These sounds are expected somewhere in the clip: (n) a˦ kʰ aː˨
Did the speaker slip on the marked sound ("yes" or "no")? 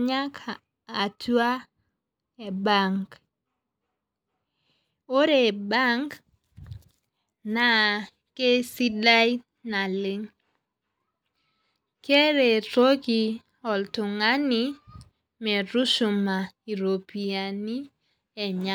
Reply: yes